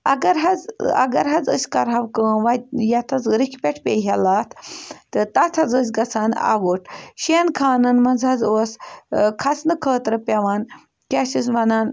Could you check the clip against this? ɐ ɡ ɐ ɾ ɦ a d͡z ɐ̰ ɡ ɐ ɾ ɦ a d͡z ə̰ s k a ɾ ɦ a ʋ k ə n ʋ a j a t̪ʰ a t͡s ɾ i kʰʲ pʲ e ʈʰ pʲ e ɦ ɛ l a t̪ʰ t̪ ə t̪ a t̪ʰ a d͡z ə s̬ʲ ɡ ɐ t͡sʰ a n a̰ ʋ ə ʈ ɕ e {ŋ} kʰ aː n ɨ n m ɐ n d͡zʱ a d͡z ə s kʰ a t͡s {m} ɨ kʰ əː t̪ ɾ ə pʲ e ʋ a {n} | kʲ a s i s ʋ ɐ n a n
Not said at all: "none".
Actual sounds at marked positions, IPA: n, n, n

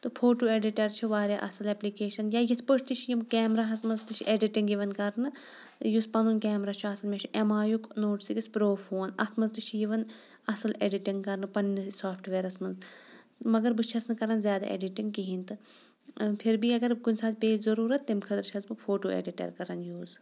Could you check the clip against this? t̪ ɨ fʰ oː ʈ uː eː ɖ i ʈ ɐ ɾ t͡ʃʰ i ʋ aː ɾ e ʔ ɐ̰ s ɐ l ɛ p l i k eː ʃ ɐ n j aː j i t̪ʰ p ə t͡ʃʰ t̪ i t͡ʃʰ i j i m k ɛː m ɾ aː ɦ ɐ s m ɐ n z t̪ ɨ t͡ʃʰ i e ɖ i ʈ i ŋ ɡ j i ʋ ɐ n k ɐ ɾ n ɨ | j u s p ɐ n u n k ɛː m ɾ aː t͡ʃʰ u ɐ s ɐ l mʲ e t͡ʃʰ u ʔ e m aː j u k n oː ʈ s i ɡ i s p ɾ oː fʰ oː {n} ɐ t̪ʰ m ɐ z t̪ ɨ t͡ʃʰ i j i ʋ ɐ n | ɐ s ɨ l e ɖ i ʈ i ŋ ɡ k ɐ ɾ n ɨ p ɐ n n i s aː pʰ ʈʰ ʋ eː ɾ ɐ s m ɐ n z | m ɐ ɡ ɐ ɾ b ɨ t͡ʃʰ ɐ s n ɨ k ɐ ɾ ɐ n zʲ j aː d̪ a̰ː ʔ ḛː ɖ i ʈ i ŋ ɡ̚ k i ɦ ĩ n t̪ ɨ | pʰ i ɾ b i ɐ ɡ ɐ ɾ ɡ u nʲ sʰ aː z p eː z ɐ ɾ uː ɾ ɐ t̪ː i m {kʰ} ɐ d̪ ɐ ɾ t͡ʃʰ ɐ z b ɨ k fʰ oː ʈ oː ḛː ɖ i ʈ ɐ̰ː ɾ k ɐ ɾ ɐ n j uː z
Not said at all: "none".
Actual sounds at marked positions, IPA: n, kʰ

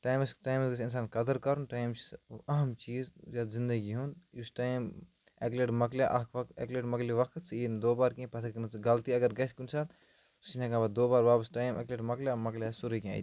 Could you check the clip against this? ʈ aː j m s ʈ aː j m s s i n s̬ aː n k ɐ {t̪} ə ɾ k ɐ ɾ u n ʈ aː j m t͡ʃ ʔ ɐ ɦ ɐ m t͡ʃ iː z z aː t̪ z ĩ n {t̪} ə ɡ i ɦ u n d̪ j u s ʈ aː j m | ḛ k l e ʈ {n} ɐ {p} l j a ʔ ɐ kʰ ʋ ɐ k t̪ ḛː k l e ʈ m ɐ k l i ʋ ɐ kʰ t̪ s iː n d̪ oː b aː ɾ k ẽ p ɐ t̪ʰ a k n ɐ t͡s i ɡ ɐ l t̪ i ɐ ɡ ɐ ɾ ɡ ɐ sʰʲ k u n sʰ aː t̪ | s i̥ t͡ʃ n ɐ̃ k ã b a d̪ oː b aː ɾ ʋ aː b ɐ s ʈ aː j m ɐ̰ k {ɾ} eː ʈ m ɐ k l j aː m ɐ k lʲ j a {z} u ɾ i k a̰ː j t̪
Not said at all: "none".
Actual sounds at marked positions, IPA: d̪, d̪, m, k, l, s

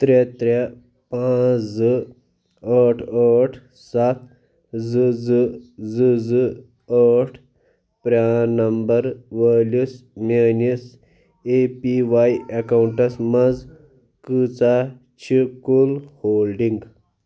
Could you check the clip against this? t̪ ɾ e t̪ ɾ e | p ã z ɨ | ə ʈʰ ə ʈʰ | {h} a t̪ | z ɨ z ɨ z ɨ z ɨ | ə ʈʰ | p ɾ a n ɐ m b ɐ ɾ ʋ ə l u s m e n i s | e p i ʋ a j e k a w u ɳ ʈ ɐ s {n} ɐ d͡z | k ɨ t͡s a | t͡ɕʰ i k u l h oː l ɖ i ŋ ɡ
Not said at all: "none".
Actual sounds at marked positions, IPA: s, m

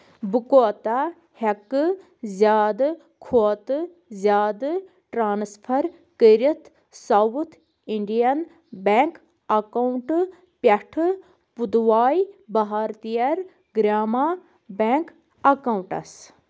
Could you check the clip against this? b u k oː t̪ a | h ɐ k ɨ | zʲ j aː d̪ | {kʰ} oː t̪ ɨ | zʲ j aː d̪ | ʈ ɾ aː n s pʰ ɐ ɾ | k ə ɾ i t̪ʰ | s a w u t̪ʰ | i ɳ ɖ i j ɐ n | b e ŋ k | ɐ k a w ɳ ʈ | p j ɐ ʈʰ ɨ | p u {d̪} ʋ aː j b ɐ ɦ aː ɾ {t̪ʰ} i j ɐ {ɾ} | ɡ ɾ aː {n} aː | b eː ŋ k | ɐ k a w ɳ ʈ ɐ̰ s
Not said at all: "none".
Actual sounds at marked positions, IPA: kʰ, d̪, t̪, ɾ, m

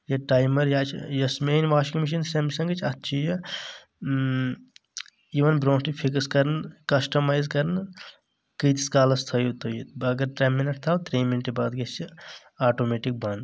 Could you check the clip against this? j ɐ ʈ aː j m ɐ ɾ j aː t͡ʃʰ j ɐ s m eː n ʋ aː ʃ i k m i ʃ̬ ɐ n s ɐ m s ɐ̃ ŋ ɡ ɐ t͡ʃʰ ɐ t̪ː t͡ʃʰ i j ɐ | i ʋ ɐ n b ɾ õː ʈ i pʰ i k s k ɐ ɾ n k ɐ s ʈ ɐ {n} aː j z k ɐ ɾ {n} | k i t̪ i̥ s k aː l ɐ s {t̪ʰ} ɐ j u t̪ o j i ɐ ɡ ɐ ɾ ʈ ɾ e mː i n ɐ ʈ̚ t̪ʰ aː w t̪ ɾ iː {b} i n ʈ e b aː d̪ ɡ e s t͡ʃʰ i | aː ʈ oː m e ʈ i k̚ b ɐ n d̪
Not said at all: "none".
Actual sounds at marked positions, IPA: m, n, t̪ʰ, m

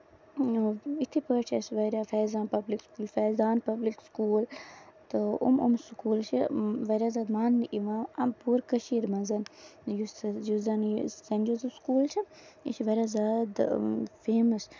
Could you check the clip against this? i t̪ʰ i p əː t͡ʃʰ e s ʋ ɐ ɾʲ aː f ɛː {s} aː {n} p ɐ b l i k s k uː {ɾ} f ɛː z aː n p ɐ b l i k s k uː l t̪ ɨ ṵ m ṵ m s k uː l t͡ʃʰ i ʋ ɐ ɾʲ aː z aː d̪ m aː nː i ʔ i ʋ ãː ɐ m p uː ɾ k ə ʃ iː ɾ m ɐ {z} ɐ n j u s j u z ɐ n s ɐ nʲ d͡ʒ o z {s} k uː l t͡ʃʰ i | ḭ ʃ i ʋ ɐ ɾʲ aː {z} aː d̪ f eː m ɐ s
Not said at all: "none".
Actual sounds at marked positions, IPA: z, n, l, z, s, z

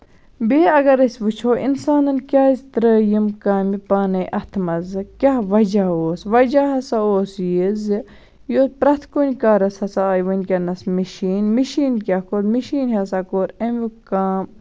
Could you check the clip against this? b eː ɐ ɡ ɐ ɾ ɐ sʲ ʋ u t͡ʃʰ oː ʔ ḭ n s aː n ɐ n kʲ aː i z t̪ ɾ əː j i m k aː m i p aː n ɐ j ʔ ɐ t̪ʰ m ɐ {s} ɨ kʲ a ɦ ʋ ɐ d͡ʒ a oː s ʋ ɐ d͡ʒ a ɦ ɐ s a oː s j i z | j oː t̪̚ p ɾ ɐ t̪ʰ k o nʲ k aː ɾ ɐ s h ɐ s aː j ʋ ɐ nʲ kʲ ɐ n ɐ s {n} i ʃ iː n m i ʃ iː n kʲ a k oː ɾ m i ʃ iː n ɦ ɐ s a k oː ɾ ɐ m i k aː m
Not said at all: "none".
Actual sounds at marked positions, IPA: z, m

